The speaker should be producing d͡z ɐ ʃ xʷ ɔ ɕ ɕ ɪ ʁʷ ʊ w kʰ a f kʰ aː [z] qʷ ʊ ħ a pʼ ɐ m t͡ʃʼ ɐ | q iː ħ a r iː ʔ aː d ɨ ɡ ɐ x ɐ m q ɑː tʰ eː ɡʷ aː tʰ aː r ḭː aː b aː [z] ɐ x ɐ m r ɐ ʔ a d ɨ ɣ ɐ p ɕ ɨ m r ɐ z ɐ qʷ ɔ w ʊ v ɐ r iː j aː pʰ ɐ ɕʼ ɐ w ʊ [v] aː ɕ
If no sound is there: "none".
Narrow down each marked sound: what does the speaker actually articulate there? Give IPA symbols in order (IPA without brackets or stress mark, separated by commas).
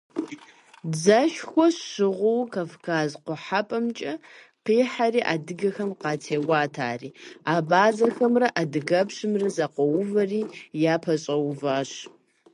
z, z, v